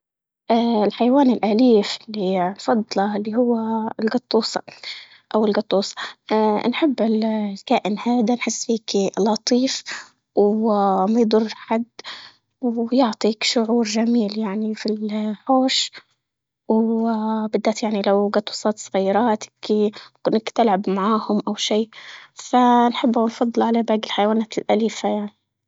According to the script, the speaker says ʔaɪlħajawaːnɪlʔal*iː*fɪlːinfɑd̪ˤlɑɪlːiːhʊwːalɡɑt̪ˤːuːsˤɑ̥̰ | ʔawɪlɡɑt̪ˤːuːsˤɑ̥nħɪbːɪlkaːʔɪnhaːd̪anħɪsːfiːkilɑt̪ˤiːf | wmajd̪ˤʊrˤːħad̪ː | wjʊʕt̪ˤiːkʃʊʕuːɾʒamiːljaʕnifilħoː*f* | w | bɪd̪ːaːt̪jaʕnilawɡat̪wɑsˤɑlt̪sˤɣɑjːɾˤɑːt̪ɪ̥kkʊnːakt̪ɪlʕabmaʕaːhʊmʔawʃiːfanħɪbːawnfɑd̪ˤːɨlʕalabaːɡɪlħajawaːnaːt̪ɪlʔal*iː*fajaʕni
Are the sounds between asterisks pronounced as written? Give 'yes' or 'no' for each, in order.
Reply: yes, no, yes

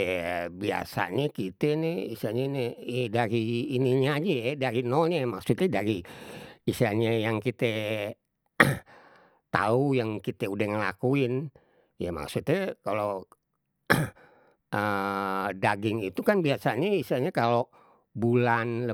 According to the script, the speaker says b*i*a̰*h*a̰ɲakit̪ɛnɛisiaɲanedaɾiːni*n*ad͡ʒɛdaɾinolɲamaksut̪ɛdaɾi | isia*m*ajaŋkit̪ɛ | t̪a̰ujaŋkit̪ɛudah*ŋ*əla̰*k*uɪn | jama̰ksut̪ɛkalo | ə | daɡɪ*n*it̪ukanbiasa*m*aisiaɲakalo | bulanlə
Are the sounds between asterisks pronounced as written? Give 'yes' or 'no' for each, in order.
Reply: yes, no, no, no, yes, yes, no, no

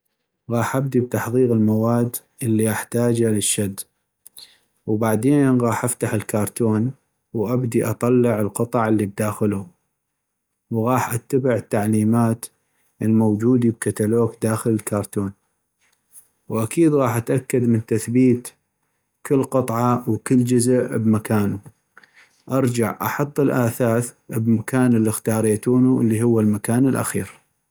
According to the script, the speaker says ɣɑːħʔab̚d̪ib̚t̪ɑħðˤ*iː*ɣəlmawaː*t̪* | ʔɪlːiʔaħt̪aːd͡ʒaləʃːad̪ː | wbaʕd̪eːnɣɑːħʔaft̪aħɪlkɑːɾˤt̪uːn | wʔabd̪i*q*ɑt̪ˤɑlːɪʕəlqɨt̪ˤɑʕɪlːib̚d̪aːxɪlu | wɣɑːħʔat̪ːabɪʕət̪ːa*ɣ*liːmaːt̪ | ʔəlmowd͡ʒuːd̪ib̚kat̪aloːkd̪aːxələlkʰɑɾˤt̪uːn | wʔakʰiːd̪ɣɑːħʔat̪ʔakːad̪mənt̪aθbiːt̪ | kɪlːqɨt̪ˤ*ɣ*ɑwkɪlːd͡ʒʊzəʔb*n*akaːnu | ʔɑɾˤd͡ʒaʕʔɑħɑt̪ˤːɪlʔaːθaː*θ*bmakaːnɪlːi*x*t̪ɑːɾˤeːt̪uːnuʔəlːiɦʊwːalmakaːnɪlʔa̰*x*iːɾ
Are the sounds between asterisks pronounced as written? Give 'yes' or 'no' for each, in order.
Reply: yes, no, no, no, no, no, yes, yes, yes

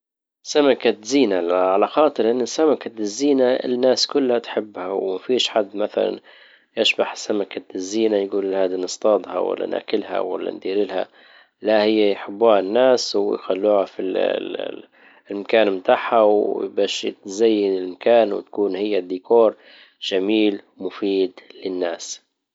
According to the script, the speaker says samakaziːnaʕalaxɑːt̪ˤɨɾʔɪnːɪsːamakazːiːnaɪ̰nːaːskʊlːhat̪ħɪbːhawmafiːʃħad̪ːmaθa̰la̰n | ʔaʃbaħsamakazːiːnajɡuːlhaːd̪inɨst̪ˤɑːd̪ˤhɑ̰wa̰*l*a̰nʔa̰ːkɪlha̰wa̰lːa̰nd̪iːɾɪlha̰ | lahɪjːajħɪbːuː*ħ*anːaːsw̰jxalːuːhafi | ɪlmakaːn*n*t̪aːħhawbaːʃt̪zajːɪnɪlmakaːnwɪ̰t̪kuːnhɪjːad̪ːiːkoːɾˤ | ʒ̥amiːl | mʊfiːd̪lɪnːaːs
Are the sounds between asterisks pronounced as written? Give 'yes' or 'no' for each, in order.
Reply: no, no, no

